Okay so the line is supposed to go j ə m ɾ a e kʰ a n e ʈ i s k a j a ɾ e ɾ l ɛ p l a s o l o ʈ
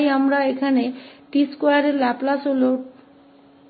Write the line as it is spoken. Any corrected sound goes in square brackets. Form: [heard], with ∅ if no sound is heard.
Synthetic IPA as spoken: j [a] m ɾ a e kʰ a n e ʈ i s k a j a ɾ e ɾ l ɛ p l a s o l o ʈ